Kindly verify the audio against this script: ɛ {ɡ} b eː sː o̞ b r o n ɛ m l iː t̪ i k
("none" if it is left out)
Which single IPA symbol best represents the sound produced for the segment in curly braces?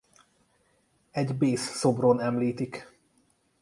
ɟ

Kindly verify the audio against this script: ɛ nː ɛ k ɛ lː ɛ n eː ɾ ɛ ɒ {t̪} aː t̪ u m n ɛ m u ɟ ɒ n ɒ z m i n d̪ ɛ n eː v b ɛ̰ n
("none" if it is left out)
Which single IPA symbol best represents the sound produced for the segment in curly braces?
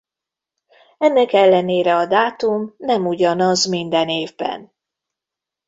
d̪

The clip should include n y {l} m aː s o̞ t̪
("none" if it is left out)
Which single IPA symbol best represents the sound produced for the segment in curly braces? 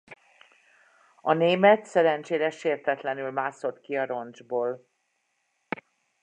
l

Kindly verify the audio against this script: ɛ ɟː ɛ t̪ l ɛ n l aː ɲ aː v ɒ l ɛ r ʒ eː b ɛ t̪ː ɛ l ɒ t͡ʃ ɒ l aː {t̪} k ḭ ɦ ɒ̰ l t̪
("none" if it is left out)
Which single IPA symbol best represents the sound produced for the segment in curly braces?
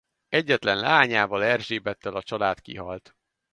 t̪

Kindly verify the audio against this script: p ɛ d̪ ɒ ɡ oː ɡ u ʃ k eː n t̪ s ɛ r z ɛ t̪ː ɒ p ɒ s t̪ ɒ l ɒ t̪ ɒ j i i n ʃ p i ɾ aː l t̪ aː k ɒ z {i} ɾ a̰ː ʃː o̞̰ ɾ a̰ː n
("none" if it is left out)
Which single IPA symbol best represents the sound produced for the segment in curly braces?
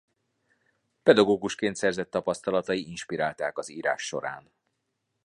iː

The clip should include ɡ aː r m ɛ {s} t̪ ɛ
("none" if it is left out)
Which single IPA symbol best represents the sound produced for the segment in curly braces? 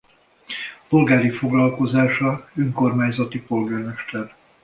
ʃ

